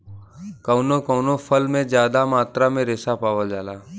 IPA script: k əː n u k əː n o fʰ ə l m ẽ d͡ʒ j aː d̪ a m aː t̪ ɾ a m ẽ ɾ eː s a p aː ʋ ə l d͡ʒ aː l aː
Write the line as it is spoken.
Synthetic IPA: k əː n o k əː n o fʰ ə l m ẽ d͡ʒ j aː d̪ a m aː t̪ ɾ a m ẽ ɾ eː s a p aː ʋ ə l d͡ʒ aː l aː